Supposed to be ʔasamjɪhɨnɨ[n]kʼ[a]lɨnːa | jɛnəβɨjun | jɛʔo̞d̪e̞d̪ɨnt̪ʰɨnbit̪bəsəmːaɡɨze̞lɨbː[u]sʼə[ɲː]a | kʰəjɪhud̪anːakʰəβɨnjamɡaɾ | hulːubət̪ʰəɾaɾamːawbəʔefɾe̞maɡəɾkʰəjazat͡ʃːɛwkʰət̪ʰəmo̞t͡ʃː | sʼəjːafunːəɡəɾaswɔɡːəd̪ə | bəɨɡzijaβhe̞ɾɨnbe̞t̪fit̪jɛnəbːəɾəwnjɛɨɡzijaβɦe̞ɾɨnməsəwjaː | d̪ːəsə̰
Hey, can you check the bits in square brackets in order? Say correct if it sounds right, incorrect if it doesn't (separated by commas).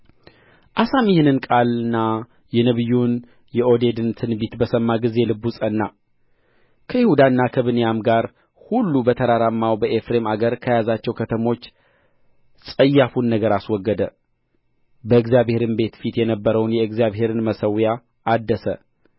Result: correct, correct, correct, incorrect